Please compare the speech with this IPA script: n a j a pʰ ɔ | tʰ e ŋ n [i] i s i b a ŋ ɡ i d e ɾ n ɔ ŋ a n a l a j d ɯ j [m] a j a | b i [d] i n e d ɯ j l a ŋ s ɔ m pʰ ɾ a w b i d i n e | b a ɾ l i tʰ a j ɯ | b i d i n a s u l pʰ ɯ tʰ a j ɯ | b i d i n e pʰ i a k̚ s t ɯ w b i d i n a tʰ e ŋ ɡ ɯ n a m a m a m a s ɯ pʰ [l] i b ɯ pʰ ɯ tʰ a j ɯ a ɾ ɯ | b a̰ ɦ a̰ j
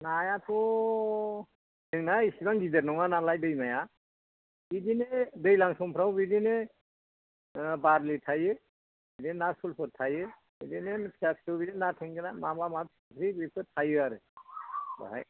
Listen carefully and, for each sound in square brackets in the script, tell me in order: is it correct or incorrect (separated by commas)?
incorrect, correct, correct, incorrect